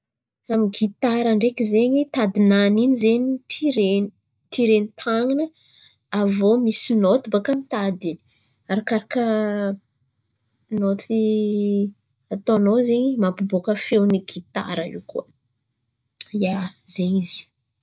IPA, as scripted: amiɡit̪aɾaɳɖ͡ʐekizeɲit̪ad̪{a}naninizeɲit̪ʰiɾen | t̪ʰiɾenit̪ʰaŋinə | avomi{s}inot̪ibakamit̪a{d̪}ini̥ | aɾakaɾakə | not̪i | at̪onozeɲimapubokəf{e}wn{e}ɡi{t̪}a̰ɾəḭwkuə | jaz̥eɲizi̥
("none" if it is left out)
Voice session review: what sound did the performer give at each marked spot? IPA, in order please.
i, s, d̪, e, i, t̪

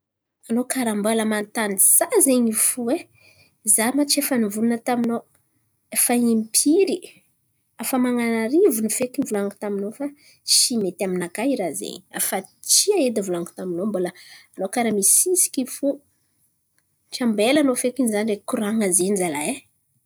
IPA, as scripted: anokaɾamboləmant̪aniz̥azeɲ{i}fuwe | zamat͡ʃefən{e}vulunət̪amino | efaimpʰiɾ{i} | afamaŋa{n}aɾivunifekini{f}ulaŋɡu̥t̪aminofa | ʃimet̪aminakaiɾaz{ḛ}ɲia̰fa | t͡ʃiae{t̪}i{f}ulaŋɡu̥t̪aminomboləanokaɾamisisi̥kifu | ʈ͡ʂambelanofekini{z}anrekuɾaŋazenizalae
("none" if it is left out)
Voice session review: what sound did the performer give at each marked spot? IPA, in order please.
i, i, i, n, v, ḛ, d̪, v, z

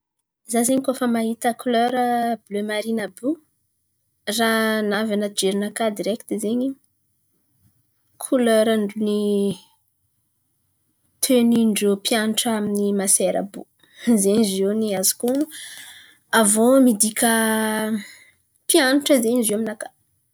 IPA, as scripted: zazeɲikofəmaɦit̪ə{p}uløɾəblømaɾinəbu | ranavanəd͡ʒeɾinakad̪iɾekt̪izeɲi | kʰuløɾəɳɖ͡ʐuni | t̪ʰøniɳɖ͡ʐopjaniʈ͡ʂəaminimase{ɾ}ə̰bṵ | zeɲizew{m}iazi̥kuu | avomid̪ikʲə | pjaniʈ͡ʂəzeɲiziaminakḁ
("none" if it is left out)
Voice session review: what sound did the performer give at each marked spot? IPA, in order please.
k, ɾ, n

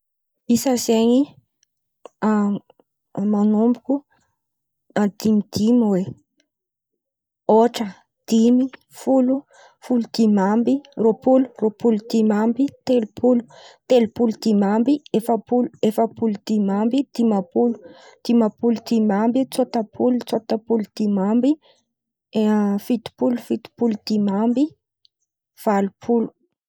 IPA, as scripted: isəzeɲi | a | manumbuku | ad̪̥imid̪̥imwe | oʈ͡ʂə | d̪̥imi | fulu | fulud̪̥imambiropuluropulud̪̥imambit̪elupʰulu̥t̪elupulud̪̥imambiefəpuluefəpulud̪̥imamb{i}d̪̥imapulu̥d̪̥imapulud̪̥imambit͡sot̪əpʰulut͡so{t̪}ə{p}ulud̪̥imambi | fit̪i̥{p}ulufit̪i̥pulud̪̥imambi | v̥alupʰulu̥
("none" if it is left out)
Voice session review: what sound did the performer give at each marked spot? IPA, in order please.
i, t̪, p, p

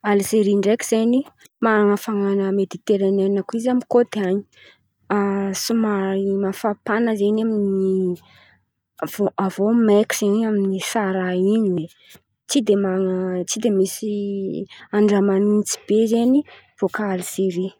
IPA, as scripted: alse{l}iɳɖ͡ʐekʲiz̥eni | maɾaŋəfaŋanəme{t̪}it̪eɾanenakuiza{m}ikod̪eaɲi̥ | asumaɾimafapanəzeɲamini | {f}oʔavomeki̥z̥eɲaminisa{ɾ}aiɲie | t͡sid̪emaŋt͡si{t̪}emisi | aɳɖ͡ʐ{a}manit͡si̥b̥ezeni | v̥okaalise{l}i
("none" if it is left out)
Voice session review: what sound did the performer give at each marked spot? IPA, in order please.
ɾ, d̪, m, v, ɾ, d̪, a, ɾ

